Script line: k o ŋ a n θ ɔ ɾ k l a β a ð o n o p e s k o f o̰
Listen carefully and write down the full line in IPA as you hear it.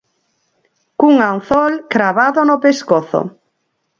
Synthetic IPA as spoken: k u ŋ a n θ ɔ l k ɾ a β a ð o n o p e s k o θ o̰

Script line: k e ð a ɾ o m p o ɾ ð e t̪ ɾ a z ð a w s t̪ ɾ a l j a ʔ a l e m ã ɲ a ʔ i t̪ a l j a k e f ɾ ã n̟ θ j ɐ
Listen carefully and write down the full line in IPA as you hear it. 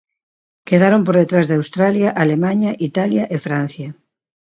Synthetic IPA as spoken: k e ð a ɾ o m p o ɾ ð e t̪ ɾ a z ð a w s t̪ ɾ a l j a ʔ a l e m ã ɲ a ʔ i t̪ a l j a ʔ e f ɾ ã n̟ θ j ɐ

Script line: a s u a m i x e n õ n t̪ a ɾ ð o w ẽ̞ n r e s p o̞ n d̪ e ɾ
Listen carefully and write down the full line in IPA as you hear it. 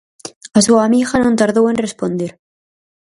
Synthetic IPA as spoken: a s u a m i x a n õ n t̪ a ɾ ð o w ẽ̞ n r e s p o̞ n d̪ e ɾ

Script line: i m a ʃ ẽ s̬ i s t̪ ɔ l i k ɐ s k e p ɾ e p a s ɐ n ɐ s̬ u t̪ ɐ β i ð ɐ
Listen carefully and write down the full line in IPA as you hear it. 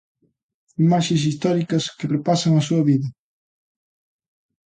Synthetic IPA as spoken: i m a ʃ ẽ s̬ i s t̪ ɔ ɾ i k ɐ s k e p ɾ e p a s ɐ ŋ ɐ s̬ u ɐ β i ð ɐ

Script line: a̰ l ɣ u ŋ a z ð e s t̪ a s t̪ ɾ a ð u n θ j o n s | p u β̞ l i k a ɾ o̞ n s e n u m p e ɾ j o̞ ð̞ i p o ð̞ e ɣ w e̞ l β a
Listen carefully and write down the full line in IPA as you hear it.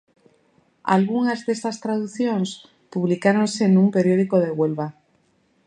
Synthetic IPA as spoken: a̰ l ɣ u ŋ a z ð e s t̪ a s t̪ ɾ a ð u θ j o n s | p u β̞ l i k a ɾ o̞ n s e n u m p e ɾ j o̞ ð̞ i k o ð̞ e ɣ w e̞ l β a

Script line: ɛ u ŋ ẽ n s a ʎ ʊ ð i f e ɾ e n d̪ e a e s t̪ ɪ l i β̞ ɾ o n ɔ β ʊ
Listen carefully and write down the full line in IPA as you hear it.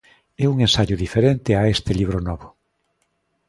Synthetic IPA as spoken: ɛ u ŋ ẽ n s a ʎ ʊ ð i f e ɾ e n t̪ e a e s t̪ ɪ l i β̞ ɾ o n ɔ β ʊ

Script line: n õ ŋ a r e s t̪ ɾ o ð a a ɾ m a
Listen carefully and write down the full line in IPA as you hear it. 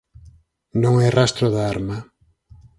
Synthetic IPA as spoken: n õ ŋ ɛ r a s t̪ ɾ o ð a a ɾ m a

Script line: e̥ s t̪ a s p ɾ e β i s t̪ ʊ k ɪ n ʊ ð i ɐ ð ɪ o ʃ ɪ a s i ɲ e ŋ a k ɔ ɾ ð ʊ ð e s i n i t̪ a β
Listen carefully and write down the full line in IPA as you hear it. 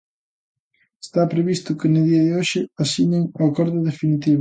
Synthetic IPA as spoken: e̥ s t̪ a p ɾ e β i s t̪ ʊ k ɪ n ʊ ð i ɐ ð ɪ o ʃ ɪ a s i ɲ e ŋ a k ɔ ɾ ð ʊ ð e f i n i t̪ i β

